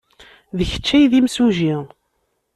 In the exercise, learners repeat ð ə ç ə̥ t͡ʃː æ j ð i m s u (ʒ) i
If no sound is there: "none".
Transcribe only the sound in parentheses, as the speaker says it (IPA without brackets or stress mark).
ʒ